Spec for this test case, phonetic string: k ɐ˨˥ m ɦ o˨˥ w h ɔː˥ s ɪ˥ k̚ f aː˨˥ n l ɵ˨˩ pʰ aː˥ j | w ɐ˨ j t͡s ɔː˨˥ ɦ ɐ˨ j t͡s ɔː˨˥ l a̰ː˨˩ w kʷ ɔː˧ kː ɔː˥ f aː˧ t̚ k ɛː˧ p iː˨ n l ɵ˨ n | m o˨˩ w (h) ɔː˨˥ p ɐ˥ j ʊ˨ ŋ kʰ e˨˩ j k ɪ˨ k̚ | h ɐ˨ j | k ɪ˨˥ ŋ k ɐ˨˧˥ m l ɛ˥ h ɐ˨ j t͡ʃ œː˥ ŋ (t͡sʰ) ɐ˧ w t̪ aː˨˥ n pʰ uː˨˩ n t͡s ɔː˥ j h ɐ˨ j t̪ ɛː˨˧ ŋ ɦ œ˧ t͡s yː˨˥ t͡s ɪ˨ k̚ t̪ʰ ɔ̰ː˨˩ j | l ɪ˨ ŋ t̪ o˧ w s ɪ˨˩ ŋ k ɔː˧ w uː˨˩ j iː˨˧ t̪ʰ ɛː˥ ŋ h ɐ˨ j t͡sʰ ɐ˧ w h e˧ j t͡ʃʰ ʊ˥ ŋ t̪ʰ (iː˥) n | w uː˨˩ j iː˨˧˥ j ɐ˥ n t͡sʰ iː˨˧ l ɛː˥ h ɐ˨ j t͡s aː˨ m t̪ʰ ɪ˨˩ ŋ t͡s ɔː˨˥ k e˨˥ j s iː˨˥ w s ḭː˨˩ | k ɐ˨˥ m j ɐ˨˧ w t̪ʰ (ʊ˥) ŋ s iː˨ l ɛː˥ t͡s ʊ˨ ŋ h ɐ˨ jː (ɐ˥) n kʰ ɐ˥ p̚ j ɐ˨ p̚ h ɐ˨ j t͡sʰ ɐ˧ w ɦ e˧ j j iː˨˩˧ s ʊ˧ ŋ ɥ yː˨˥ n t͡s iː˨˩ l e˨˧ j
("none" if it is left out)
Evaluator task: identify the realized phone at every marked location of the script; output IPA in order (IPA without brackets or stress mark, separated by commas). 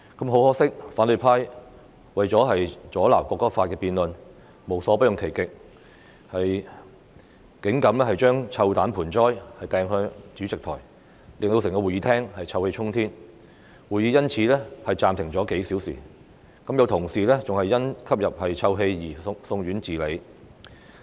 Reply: s, t͡sʰ, iː˥, ʊ˨˩, ɐ˥